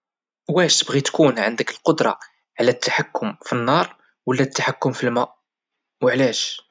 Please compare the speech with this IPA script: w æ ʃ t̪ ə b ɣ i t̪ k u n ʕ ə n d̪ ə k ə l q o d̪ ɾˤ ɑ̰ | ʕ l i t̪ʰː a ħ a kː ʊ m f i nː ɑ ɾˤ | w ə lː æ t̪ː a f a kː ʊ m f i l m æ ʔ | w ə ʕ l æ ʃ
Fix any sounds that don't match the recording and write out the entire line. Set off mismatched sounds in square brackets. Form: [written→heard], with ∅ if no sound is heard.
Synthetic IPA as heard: w æ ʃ t̪ ə b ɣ i t̪ k u n ʕ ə n d̪ ə k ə l q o d̪ ɾˤ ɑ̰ | ʕ l [i→æ] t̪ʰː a ħ a kː ʊ m f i nː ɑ ɾˤ | w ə lː æ t̪ː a [f→ħ] a kː ʊ m f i l m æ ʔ | w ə ʕ l æ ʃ